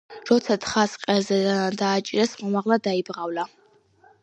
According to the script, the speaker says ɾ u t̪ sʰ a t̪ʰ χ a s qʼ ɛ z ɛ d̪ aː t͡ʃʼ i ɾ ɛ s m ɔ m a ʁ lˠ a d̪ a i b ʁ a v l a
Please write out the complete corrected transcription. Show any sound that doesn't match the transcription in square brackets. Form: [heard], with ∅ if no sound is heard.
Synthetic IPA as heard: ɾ [ɔ] t̪ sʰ a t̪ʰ χ a s qʼ ɛ z ɛ d̪ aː t͡ʃʼ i ɾ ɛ s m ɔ m a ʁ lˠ a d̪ a i b ʁ a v l a